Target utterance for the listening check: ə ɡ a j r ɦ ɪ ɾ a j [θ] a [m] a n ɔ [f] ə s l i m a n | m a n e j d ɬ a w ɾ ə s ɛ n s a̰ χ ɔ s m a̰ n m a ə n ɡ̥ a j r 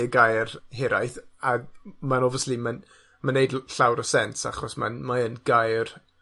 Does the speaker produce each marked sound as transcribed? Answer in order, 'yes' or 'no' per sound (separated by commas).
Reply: yes, yes, no